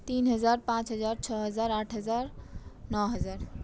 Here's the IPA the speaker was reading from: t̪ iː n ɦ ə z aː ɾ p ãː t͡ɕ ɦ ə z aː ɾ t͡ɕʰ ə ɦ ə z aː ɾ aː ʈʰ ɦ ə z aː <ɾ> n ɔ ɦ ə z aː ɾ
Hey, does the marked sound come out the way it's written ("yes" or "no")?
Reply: yes